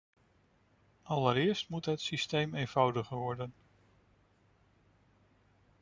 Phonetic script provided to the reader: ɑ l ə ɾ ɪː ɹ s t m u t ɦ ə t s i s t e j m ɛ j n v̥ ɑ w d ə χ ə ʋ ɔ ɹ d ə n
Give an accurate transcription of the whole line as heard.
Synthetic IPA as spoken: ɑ l ə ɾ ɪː ɹ s t m u t ɦ ə t s i s t e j m e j n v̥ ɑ w d ə χ ə ʋ ɔ ɹ d ə n